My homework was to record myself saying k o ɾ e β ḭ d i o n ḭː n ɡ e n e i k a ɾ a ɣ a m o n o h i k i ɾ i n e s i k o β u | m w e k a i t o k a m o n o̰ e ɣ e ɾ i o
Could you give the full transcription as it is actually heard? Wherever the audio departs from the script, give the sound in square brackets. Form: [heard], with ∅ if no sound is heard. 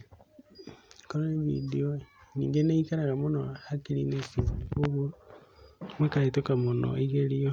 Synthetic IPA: k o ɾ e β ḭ d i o n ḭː [ŋ] ɡ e n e i k a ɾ a ɣ a m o n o h [a] k i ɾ i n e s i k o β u | m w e k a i t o k a m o n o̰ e ɣ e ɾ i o